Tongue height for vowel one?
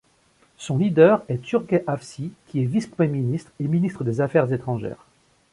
mid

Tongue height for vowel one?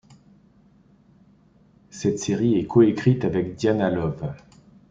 mid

